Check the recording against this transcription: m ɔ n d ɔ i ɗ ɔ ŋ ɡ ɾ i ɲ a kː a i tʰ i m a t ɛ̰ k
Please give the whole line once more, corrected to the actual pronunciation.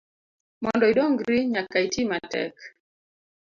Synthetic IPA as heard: m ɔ n d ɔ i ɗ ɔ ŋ ɡ ɾ i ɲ a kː a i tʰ i m a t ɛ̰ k